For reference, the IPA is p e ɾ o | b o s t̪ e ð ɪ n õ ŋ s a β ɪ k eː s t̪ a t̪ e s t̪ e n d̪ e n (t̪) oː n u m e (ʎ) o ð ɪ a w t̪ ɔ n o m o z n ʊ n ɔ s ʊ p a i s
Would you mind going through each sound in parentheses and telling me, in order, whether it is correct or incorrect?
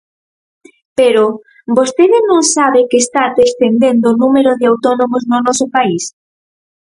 incorrect, incorrect

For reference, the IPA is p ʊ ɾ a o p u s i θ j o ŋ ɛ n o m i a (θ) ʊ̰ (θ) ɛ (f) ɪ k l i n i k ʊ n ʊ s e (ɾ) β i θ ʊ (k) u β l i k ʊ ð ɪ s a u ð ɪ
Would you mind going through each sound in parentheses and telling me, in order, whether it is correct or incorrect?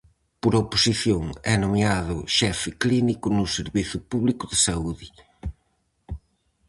incorrect, incorrect, correct, correct, incorrect

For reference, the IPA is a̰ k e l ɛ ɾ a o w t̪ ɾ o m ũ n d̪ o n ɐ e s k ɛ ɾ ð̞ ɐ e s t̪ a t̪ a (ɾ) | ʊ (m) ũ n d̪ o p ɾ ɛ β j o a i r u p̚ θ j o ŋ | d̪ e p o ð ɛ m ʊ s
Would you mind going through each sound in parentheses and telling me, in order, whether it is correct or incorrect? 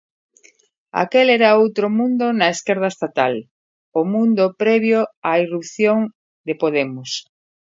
incorrect, correct

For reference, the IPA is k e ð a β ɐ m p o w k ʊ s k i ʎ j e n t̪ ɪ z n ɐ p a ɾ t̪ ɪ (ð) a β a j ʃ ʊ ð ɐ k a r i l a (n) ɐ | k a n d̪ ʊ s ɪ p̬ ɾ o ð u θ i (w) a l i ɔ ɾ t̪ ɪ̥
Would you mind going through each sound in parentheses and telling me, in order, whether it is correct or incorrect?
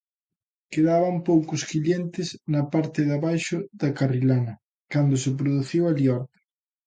correct, correct, correct

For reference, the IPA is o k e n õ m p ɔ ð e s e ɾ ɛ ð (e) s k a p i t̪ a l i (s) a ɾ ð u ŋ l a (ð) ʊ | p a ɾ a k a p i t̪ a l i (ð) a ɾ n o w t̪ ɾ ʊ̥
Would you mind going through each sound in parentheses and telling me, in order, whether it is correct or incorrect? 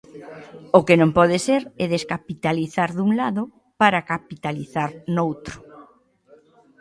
correct, incorrect, correct, incorrect

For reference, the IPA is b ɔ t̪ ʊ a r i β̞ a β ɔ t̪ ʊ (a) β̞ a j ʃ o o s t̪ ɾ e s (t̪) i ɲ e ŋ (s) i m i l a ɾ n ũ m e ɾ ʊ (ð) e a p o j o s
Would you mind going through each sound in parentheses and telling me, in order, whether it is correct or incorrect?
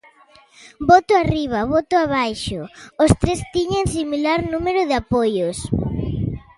correct, correct, correct, correct

